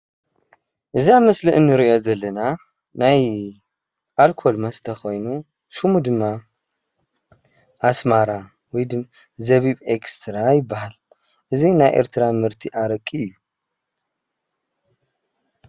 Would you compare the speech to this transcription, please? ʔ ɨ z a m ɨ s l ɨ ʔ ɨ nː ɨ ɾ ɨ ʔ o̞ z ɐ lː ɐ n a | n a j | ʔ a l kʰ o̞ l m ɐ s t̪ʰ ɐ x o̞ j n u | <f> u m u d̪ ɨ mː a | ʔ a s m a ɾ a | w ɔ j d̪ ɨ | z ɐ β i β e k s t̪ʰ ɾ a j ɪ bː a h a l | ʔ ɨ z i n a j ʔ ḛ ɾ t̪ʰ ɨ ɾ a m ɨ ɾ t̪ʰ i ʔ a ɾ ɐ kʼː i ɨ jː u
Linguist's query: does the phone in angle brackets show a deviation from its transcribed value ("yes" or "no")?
yes